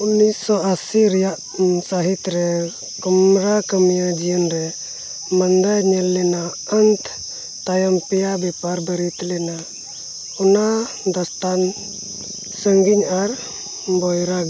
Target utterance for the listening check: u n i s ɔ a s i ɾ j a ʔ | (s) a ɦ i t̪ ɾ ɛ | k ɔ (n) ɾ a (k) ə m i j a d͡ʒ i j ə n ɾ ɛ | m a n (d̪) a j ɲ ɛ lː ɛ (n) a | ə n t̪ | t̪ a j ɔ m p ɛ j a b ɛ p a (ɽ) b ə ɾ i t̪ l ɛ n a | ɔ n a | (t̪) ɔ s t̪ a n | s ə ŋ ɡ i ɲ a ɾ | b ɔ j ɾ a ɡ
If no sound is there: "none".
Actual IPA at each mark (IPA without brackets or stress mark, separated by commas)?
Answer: s, m, k, d̪, n, ɾ, d̪